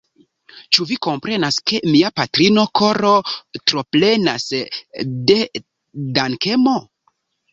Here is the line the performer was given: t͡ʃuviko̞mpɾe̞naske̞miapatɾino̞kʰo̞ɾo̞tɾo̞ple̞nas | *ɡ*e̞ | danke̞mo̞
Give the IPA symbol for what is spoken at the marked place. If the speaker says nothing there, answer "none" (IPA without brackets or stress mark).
d